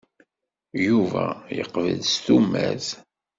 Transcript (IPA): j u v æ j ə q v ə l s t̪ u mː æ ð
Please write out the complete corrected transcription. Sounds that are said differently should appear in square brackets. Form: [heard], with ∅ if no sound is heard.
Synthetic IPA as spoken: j u v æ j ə q v ə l s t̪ u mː æ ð

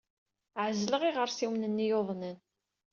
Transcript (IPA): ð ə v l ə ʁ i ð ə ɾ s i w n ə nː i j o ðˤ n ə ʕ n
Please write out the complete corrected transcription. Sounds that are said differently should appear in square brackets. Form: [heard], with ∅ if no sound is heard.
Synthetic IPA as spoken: [ʕ] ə [z] l ə ʁ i [ʁ] ə ɾ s i w n ə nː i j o ðˤ n ə [∅] n

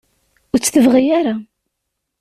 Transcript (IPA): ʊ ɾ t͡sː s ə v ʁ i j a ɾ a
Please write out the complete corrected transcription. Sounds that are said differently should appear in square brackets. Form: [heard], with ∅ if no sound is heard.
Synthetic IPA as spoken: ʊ ɾ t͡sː [θ] ə v ʁ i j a ɾ a

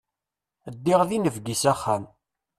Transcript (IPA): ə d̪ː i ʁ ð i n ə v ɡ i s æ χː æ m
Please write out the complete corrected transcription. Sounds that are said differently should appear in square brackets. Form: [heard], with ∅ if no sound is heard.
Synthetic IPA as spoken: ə d̪ː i ʁ ð i n ə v ɡ i s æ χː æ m

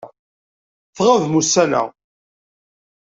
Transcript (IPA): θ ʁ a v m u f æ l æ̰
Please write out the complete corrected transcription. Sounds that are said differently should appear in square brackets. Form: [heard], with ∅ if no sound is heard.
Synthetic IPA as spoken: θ ʁ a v m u [s] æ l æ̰

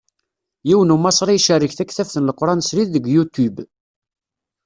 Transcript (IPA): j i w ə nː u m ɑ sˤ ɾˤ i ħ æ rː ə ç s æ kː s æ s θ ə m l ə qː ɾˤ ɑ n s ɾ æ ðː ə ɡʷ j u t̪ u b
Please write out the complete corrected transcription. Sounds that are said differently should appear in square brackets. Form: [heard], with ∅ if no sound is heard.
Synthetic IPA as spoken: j i w ə [n] u m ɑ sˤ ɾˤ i [ʃ] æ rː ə ç [θ] æ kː [θ] æ [f] θ ə [n] l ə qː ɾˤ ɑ n s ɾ [i] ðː ə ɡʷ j u t̪ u b

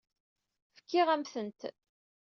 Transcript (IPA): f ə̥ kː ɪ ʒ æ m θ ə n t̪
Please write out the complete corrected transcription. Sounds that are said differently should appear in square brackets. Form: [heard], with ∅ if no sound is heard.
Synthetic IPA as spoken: f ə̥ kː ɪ [ʁ] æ m θ ə n t̪

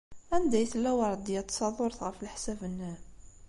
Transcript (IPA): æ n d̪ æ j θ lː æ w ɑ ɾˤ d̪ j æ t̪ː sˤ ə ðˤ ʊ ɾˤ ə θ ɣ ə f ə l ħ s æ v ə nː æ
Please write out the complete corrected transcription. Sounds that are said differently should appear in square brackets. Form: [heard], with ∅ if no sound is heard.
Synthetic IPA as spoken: æ n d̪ æ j θ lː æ w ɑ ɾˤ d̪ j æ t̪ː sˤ [ɑ] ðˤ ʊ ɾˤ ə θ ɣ ə f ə l ħ s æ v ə nː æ

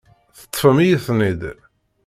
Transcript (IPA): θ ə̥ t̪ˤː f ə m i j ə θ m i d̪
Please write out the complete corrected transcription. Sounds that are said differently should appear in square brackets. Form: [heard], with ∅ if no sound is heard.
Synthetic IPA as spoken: θ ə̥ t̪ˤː f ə m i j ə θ [n] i d̪

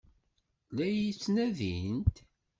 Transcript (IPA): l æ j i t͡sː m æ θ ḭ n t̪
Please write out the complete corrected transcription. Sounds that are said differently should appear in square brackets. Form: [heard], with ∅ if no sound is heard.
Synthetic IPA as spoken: l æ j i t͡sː [n] æ [ð] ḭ n t̪

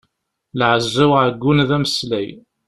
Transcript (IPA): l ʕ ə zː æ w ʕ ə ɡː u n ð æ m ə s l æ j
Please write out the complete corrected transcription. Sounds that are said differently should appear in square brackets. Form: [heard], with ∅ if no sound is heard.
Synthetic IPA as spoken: l ʕ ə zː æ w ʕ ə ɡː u n ð æ m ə s l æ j

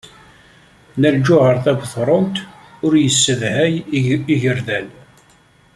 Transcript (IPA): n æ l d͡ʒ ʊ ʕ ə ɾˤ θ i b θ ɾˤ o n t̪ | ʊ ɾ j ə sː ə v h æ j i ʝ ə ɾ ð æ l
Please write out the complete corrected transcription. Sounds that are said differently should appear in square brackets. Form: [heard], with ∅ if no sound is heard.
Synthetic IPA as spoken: n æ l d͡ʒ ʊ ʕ ə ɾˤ θ [æ] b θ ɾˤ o n t̪ | ʊ ɾ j ə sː ə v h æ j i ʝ ə ɾ ð æ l

